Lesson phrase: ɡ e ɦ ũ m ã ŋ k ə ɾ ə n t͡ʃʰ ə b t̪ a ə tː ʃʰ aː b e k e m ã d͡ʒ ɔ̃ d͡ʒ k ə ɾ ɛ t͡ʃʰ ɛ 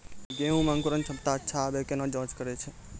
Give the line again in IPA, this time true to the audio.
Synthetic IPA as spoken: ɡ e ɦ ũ m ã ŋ k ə ɾ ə n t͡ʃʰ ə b t̪ a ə tː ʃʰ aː b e k e n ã d͡ʒ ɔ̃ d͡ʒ k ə ɾ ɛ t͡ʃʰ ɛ